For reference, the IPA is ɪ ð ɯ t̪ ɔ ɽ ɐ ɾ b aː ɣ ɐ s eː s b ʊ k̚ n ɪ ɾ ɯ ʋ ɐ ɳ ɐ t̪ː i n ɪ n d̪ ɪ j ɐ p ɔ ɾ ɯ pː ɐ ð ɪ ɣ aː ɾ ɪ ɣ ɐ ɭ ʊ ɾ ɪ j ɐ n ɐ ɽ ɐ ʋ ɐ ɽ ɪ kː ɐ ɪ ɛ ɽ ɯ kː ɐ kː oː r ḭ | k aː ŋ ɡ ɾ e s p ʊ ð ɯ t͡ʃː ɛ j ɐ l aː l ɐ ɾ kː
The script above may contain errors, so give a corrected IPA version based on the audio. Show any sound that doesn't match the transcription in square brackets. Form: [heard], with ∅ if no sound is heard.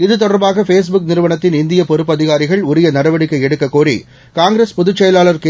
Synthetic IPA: ɪ ð ɯ t̪ ɔ ɽ ɐ ɾ b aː ɣ ɐ [f] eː s b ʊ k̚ n ɪ ɾ ɯ ʋ ɐ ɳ ɐ t̪ː [ɪ] n ɪ n d̪ ɪ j ɐ p ɔ ɾ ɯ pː ɐ ð ɪ ɣ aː ɾ ɪ ɣ ɐ ɭ ʊ ɾ ɪ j ɐ n ɐ ɽ ɐ ʋ ɐ ɽ ɪ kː ɐ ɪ ɛ ɽ ɯ kː ɐ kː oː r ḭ | k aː ŋ ɡ ɾ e s p ʊ ð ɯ t͡ʃː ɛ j ɐ l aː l ɐ ɾ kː